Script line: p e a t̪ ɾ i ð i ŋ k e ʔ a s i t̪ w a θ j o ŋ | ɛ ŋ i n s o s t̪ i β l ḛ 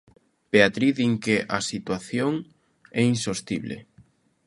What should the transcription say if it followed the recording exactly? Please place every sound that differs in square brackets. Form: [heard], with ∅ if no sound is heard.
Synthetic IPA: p e a t̪ ɾ i ð i ŋ k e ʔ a s i t̪ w a θ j o ŋ | ɛ [∅] i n s o s t̪ i β l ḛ